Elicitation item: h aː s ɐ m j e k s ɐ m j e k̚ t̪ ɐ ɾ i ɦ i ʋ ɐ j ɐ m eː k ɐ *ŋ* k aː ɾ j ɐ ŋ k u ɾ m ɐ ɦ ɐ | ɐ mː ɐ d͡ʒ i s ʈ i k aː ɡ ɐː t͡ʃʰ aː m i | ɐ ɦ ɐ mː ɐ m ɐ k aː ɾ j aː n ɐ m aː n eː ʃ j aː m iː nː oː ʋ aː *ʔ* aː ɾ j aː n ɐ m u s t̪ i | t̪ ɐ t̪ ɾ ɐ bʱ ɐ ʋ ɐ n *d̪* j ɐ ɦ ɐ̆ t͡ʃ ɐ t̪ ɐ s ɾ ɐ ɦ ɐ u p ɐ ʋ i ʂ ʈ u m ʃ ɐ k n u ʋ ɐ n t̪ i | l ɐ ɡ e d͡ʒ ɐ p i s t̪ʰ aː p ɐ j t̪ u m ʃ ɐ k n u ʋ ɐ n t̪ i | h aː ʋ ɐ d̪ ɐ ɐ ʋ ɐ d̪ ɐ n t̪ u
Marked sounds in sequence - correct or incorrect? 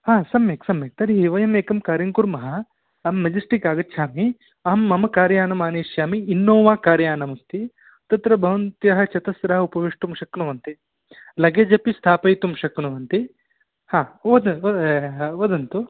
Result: incorrect, incorrect, incorrect

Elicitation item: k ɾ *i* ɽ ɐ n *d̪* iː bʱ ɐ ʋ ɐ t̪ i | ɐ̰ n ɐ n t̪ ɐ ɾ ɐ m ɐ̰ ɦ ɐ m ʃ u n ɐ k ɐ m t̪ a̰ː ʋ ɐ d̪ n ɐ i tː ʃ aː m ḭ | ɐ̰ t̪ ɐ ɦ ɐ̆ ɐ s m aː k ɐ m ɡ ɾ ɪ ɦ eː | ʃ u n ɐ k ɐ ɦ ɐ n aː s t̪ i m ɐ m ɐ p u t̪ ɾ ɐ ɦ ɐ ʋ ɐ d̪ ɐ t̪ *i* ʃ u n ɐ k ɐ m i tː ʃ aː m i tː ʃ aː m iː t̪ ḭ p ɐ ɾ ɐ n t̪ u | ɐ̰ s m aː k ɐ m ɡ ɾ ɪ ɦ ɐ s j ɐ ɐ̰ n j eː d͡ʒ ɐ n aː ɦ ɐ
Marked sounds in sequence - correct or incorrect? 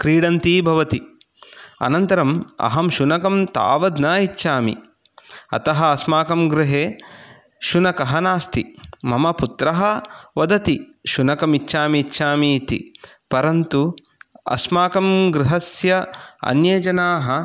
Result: incorrect, incorrect, correct

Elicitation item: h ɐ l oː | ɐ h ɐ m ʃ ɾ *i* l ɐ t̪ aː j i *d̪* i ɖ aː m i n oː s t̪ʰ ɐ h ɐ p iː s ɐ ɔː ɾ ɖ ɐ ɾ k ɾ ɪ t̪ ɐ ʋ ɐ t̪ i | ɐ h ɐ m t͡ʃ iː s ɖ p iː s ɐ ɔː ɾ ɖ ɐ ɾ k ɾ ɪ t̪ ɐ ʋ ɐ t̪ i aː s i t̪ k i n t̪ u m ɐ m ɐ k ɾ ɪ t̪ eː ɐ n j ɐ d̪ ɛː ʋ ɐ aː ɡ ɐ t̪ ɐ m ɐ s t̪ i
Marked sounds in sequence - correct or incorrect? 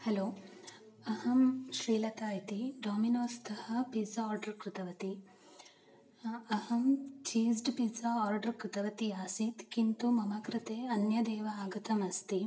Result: incorrect, incorrect

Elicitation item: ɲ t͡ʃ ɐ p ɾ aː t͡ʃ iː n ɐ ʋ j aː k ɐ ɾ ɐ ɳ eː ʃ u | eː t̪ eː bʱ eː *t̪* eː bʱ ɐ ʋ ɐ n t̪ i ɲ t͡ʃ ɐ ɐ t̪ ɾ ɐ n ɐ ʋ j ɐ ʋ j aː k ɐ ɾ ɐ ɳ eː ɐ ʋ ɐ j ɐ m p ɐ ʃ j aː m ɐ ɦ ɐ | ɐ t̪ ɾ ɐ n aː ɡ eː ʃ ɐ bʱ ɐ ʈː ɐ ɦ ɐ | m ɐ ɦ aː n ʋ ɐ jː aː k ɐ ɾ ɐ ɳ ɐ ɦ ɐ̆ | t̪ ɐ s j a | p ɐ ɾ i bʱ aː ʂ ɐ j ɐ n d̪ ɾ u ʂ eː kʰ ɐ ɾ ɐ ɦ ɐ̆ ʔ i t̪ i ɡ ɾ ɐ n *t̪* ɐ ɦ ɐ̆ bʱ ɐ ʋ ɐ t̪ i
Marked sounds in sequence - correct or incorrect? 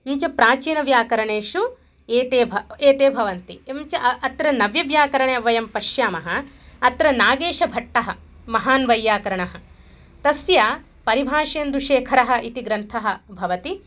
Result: correct, incorrect

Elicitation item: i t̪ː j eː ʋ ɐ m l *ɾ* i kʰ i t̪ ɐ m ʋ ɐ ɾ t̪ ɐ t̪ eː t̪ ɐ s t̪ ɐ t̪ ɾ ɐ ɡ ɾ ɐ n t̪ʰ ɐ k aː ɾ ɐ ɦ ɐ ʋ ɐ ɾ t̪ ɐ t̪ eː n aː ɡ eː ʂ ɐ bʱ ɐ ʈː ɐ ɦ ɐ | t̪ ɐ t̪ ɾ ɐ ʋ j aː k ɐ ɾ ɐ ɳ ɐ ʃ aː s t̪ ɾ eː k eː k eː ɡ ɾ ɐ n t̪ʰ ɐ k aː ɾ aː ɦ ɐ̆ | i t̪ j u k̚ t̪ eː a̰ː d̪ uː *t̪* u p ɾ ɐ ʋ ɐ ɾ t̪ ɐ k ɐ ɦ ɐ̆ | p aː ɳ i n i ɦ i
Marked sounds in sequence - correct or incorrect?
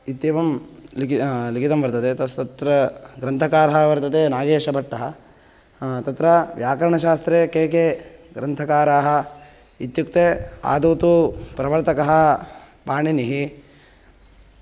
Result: incorrect, correct

